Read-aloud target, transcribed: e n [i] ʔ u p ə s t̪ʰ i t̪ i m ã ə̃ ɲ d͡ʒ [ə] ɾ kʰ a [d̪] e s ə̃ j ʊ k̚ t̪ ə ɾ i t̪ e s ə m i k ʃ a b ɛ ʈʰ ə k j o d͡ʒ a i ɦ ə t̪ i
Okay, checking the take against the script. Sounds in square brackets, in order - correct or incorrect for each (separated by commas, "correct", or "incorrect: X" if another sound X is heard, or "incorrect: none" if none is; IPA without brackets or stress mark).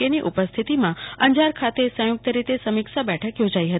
correct, incorrect: a, incorrect: t̪